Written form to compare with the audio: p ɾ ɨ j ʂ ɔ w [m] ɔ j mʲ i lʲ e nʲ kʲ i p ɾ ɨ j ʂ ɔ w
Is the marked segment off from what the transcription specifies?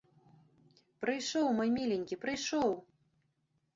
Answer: no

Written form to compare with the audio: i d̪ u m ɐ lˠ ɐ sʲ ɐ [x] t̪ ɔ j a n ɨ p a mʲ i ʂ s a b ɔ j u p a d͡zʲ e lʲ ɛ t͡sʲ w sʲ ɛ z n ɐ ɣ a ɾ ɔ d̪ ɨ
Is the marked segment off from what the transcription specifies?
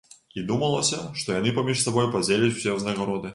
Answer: yes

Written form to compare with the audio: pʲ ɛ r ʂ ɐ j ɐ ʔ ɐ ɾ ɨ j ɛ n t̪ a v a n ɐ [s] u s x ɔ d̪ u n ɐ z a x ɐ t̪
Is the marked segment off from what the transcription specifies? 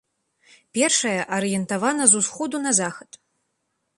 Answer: yes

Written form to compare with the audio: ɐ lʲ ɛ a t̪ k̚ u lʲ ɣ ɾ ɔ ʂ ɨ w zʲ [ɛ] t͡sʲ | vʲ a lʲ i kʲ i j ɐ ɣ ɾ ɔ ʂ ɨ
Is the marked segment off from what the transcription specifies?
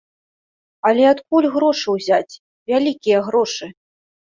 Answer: yes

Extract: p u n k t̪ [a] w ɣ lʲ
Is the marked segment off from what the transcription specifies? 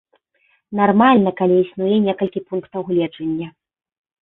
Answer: yes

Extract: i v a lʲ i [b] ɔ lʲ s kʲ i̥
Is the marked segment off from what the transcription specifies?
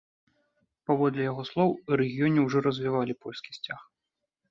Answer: yes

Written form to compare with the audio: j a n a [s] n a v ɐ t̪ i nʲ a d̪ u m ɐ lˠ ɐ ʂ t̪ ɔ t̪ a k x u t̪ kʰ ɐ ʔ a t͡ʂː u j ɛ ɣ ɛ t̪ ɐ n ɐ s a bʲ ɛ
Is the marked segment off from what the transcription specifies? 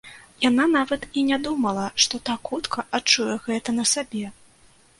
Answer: yes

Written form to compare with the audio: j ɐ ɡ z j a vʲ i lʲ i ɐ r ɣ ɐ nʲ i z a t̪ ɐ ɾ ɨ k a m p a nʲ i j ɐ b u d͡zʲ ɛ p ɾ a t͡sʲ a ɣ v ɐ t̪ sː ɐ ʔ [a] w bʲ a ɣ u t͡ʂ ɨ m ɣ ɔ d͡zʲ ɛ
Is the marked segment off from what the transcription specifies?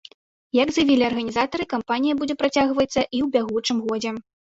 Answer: yes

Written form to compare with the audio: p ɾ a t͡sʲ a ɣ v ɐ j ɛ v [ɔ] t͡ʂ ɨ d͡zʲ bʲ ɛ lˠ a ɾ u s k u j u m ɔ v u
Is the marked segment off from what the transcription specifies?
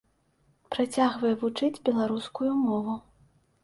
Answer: yes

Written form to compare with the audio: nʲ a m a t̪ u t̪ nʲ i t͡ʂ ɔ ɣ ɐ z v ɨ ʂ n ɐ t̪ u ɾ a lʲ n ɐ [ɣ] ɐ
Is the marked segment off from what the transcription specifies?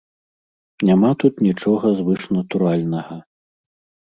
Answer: no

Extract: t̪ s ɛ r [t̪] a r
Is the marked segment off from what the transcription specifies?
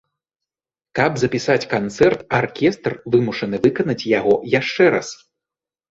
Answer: no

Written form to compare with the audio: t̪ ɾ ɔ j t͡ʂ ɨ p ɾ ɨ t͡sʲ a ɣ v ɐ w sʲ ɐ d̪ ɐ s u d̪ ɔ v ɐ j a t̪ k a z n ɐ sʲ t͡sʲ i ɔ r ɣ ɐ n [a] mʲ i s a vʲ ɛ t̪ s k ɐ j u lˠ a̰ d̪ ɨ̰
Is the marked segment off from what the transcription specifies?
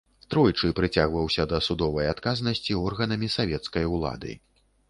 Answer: yes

